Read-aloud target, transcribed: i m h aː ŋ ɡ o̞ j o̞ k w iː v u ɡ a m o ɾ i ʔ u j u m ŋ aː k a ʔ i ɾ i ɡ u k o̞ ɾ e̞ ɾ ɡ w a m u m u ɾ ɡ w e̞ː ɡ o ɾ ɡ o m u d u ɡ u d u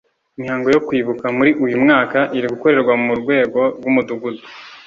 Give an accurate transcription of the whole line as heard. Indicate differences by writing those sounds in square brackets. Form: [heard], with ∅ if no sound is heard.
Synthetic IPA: i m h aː ŋ ɡ o̞ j o̞ k w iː [β] u [k] a m [u] ɾ i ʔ u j u m ŋ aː k a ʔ i ɾ i ɡ u k o̞ ɾ e̞ ɾ ɡ w a m u m u ɾ ɡ w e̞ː ɡ o ɾ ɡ [u] m u d u ɡ u d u